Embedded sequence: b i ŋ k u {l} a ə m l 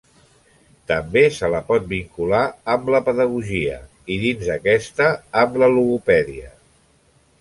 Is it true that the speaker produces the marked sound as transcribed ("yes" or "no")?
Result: yes